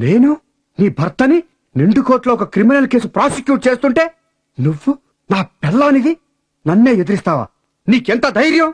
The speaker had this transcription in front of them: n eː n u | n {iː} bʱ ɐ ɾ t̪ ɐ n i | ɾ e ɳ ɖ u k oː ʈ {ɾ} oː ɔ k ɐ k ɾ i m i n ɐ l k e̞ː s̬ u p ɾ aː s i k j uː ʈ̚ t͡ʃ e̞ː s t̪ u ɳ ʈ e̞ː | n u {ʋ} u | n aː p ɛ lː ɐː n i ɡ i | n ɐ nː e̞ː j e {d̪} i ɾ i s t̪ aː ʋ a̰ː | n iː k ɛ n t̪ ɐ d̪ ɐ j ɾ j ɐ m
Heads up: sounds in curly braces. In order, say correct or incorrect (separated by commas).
correct, incorrect, incorrect, correct